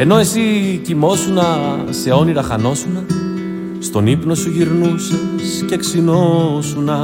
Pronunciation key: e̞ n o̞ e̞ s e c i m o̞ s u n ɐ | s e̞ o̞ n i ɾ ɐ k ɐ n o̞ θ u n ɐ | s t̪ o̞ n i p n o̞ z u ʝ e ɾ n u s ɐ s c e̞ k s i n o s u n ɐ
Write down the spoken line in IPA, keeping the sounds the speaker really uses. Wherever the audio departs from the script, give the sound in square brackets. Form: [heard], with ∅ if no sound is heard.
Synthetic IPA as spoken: e̞ n o̞ e̞ s [i] c i m o̞ s u n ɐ | s e̞ o̞ n i ɾ ɐ [x] ɐ n o̞ [s] u n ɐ | s t̪ o̞ n i p n o̞ [s] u ʝ [i] ɾ n u s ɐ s c e̞ k s i n o s u n ɐ